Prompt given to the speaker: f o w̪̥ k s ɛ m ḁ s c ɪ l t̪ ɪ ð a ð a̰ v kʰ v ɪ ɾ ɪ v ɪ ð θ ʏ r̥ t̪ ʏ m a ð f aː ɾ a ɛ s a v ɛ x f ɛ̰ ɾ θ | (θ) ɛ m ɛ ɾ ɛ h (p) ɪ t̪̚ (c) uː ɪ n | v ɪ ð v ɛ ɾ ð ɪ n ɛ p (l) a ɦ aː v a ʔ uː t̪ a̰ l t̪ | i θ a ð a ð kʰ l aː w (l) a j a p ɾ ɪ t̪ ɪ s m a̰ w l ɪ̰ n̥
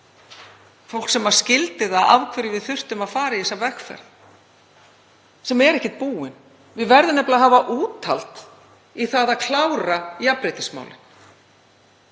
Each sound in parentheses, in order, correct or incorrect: incorrect: s, incorrect: c, incorrect: p, correct, incorrect: ɾ

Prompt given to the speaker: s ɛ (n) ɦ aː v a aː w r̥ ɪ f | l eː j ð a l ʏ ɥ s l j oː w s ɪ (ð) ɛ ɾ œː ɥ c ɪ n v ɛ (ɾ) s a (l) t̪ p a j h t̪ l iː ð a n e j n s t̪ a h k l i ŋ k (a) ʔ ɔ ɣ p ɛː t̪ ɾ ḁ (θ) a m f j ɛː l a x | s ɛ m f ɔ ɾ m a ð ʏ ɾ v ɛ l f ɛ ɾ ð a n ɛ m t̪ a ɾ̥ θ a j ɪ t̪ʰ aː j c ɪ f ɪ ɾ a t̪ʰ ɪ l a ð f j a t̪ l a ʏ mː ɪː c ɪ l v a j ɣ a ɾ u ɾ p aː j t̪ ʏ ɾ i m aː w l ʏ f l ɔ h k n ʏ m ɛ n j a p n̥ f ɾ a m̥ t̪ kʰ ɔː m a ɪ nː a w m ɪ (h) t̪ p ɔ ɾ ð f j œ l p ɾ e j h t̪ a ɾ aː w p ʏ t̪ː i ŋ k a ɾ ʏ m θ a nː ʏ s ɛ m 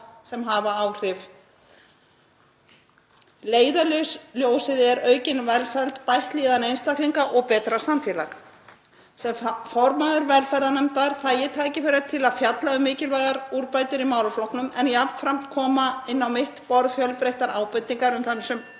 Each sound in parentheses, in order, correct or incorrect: incorrect: m, correct, incorrect: l, correct, correct, incorrect: s, correct

